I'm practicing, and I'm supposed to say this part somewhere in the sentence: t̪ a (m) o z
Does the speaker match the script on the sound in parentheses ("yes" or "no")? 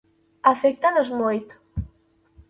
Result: no